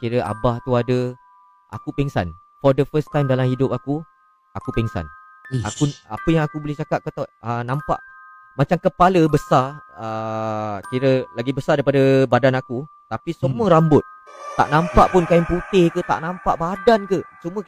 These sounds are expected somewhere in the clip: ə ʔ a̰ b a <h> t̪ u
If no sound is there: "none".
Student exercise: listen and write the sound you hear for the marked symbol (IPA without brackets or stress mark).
h